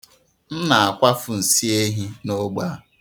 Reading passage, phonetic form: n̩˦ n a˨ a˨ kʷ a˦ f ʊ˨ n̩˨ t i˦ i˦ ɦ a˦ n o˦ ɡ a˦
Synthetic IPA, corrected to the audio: n̩˦ n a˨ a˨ kʷ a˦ f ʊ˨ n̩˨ s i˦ e˦ ɦ i˦ n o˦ ɡ͡b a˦